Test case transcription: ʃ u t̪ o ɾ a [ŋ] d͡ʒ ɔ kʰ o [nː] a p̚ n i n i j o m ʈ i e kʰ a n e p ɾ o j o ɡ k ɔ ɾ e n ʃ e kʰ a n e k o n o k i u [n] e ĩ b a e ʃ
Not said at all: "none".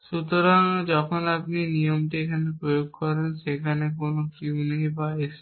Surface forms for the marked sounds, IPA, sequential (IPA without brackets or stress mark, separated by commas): ŋ, n, n